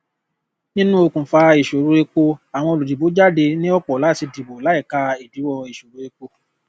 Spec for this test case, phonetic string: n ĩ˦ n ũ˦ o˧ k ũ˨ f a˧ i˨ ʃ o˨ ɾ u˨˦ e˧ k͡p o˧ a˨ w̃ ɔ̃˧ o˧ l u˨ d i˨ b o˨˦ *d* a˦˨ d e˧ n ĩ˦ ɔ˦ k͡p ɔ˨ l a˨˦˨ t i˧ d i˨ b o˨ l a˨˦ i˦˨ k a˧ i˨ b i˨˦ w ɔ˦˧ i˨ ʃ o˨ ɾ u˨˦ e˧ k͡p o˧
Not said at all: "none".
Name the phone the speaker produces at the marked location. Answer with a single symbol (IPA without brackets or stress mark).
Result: d͡ʒ